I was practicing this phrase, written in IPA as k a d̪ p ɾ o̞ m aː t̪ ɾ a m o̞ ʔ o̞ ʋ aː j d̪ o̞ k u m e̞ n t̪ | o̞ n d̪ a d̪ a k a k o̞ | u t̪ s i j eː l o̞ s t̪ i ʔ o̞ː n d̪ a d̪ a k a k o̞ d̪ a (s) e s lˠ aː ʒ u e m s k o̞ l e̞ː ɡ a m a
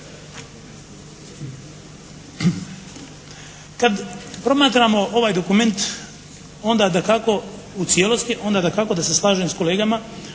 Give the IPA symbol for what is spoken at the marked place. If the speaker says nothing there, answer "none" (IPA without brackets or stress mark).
s